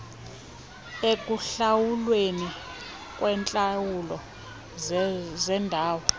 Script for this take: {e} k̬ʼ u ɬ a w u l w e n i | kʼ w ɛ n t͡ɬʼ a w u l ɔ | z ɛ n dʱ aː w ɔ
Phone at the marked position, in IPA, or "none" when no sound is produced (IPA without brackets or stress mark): e